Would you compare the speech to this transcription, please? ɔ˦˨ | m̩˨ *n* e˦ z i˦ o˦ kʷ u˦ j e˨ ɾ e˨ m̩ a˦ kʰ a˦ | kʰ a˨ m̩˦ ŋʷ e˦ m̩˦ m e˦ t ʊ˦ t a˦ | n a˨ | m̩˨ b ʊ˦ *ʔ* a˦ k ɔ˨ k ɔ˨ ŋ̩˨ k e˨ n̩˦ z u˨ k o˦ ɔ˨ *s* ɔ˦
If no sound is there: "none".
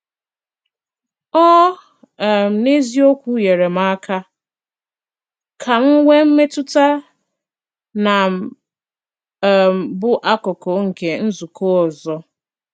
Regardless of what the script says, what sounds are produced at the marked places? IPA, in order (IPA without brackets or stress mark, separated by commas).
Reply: n, ʔ, z